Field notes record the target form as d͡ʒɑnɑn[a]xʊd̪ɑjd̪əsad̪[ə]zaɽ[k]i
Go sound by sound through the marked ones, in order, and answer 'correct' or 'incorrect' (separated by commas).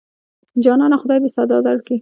correct, incorrect, correct